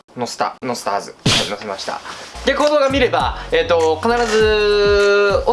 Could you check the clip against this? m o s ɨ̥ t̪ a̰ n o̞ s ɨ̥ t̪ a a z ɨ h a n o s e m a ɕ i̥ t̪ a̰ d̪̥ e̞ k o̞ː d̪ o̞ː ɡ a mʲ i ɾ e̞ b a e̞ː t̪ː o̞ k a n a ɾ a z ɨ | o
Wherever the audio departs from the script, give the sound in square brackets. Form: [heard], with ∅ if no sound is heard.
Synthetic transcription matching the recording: [n] o s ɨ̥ t̪ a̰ n o̞ s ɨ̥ t̪ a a z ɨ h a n o s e m a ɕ i̥ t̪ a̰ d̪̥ e̞ k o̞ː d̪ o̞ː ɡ a mʲ i ɾ e̞ b a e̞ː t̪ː o̞ k a n a ɾ a z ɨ | o